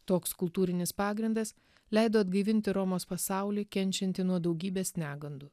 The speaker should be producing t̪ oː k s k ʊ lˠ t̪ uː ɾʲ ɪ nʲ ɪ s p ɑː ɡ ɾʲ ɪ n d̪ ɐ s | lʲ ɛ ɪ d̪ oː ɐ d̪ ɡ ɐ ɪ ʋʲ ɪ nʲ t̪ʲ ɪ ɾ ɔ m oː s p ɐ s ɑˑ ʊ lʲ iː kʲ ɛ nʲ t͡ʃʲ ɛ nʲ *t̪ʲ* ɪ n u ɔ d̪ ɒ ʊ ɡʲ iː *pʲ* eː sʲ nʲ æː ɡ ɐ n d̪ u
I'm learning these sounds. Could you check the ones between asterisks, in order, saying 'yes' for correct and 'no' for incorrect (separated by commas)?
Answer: yes, no